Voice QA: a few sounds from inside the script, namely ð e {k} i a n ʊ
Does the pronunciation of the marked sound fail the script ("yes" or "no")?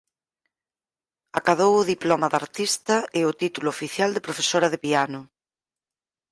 yes